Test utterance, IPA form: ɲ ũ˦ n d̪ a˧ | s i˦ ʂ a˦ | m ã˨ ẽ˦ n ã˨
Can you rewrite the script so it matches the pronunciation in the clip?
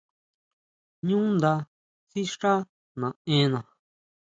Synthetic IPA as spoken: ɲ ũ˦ n d̪ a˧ | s i˦ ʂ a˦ | n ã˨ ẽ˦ n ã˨